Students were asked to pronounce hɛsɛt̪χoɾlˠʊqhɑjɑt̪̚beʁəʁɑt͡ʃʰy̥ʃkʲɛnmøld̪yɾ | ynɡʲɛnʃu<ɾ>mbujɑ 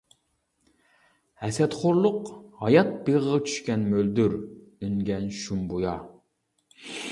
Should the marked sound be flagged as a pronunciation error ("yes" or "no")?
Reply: yes